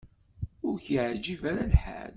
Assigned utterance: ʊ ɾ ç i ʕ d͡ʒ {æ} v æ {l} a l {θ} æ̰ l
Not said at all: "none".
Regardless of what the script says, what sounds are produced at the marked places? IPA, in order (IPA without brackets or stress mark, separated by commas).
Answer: i, ɾ, ħ